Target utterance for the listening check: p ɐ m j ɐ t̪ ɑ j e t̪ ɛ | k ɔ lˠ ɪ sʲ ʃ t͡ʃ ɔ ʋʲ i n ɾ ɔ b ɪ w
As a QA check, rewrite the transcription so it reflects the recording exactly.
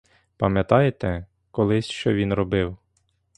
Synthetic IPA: p ɐ m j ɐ t̪ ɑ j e t̪ ɛ | k ɔ lˠ ɪ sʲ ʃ t͡ʃ ɔ ʋʲ i n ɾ ɔ b ɪ w

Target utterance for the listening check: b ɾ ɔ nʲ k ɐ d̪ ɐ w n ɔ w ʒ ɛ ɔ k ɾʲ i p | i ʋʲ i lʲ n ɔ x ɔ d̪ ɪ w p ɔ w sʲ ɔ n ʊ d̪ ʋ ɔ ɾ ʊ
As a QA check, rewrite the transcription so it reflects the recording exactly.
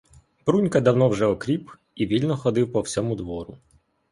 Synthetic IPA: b ɾ u nʲ k ɐ d̪ ɐ w n ɔ w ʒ ɛ ɔ k ɾʲ i p | i ʋʲ i lʲ n ɔ x ɔ d̪ ɪ w p ɔ w sʲ ɔ m ʊ d̪ ʋ ɔ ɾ ʊ

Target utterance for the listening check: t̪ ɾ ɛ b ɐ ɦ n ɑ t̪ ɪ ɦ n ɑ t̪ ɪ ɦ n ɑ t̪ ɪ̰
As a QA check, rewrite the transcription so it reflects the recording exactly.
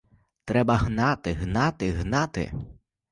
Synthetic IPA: t̪ ɾ ɛ b ɐ ɦ n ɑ t̪ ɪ ɦ n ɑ t̪ ɪ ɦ n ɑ t̪ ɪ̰

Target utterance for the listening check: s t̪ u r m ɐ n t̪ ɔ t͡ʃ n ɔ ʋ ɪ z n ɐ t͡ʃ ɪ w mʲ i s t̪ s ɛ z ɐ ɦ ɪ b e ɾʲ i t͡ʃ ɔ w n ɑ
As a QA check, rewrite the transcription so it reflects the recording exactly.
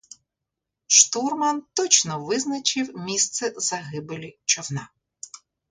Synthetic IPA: ʃ t̪ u r m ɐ n t̪ ɔ t͡ʃ n ɔ ʋ ɪ z n ɐ t͡ʃ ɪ w mʲ i s t̪ s ɛ z ɐ ɦ ɪ b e lʲ i t͡ʃ ɔ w n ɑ

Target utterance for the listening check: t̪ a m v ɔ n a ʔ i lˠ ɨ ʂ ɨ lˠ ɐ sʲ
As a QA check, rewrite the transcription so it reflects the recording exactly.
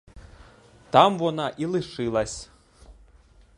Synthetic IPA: t̪ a m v ɔ n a ʔ i lˠ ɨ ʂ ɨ lˠ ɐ sʲ

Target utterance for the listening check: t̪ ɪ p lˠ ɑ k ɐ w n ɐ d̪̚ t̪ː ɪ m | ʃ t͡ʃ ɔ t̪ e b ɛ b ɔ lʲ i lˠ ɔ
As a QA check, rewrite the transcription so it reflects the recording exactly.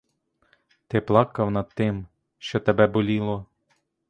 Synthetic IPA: t̪ ɪ p lˠ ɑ k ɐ w n ɐ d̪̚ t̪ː ɪ m | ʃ t͡ʃ ɔ t̪ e b ɛ b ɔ lʲ i lˠ ɔ

